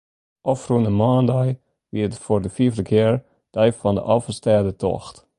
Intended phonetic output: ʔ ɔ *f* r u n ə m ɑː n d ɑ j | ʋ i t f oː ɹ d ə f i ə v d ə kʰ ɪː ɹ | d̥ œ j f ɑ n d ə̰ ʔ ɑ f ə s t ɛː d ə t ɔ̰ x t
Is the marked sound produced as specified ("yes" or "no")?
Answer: yes